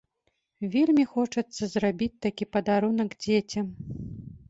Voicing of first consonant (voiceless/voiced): voiced